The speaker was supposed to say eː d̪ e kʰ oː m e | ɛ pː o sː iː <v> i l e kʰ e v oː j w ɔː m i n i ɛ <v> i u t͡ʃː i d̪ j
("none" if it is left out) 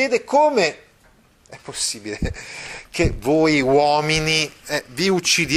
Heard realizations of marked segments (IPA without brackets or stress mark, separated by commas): b, v